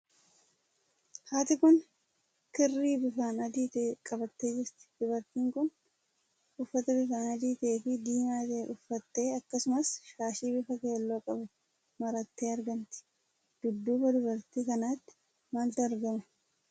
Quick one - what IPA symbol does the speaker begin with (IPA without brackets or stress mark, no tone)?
h